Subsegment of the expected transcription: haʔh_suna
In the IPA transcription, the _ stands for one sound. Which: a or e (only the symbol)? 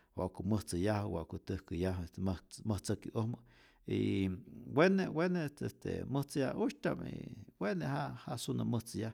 a